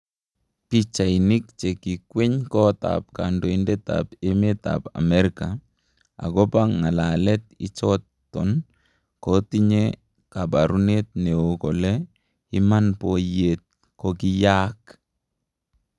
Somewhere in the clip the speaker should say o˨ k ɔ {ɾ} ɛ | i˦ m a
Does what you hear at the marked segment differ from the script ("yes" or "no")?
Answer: yes